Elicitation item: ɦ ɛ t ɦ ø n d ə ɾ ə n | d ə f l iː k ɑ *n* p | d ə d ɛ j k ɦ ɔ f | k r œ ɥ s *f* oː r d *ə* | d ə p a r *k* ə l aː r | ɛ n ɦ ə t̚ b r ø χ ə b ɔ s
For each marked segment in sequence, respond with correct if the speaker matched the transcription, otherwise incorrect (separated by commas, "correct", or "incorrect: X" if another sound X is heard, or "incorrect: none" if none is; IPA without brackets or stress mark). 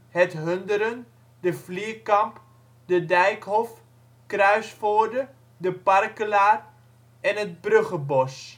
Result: incorrect: m, correct, correct, correct